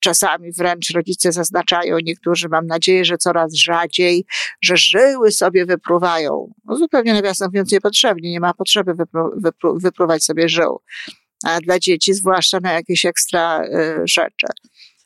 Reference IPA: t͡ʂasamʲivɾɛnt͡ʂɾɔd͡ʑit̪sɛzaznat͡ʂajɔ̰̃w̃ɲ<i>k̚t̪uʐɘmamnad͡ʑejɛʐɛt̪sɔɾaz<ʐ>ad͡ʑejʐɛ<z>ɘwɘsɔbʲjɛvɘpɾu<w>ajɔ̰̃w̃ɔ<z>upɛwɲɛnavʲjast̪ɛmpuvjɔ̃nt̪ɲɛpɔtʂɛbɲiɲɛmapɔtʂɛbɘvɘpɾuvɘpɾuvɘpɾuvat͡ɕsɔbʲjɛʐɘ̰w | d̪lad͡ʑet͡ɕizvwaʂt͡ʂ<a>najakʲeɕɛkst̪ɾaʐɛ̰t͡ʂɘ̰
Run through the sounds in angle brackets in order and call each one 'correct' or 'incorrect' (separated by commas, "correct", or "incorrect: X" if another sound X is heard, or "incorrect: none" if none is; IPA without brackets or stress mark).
incorrect: ɛ, correct, incorrect: ʐ, incorrect: v, correct, correct